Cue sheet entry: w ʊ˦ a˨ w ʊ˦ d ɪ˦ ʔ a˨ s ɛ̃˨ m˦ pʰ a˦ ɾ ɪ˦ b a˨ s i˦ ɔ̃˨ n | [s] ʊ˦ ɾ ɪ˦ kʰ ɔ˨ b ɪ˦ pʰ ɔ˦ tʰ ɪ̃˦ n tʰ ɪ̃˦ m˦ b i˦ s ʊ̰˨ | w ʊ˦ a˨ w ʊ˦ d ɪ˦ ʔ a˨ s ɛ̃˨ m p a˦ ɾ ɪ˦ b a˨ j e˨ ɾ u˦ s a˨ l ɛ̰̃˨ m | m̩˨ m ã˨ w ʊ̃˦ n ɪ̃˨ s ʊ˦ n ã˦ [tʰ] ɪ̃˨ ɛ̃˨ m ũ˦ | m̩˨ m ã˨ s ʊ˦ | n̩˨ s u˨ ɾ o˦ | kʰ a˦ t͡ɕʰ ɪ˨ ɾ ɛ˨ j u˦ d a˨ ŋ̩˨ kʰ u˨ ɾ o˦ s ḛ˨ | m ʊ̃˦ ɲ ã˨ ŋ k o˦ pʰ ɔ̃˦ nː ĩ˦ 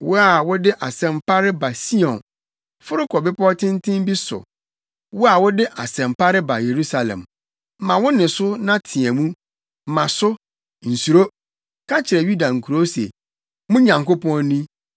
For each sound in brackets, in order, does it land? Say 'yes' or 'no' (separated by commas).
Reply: no, yes